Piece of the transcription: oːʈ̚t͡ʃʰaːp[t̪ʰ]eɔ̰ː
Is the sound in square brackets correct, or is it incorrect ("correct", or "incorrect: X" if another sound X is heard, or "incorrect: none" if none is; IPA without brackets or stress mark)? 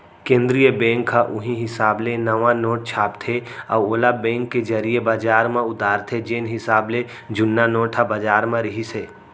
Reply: correct